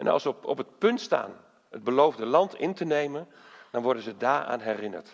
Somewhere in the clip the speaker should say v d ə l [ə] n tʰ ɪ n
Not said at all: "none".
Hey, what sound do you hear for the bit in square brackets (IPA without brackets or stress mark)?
ɑ